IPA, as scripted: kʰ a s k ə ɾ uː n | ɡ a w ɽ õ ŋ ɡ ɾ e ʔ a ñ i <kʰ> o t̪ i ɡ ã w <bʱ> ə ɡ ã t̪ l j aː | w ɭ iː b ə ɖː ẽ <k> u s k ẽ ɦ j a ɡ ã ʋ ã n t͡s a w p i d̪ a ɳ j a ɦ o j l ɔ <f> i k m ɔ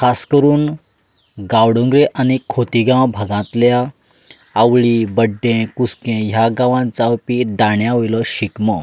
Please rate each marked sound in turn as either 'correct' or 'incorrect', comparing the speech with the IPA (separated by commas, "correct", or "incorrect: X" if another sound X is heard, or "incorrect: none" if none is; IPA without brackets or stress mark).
correct, correct, correct, incorrect: ɕ